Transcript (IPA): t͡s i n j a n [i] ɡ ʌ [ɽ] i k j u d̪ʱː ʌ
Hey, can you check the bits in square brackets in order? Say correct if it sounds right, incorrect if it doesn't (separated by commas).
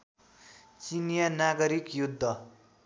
incorrect, incorrect